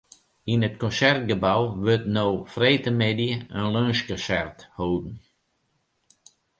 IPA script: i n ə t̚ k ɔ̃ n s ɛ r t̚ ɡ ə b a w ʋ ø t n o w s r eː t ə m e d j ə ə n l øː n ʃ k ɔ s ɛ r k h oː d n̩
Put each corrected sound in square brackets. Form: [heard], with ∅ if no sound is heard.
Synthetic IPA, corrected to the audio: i n ə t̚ k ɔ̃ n s ɛ r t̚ ɡ ə b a w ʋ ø t n o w [f] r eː t ə m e d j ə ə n l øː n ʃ k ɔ s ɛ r [t] h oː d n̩